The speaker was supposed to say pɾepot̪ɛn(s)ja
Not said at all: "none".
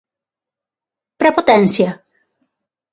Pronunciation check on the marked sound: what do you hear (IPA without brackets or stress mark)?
s